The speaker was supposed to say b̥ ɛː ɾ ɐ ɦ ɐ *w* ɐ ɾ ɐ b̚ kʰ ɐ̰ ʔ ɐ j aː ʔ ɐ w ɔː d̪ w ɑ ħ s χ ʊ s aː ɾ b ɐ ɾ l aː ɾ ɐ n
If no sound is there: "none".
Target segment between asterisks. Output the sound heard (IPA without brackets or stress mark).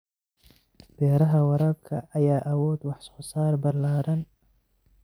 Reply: w